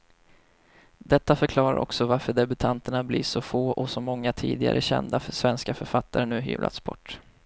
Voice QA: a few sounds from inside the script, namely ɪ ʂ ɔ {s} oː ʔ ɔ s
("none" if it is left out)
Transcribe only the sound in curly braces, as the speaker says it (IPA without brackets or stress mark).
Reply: f